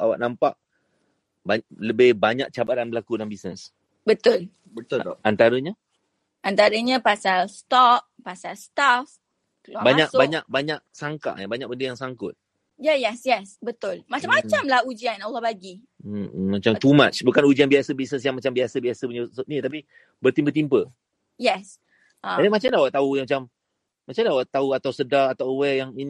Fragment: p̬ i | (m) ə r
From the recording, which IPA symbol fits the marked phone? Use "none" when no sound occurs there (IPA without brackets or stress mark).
b